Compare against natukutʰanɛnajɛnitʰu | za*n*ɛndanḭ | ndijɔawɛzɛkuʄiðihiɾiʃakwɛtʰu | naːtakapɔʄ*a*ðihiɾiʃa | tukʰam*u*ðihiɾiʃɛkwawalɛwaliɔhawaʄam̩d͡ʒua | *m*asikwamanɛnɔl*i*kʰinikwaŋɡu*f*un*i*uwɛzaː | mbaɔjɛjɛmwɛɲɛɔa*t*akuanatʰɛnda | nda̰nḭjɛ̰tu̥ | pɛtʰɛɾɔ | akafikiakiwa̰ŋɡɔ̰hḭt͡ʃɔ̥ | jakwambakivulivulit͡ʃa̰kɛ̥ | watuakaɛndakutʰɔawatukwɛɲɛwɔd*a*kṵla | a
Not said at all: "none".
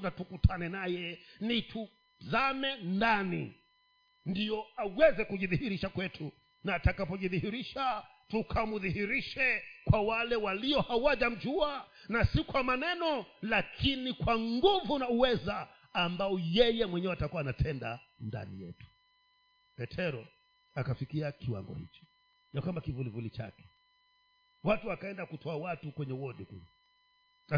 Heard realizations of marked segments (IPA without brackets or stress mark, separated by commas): m, i, u, n, a, v, a, t, i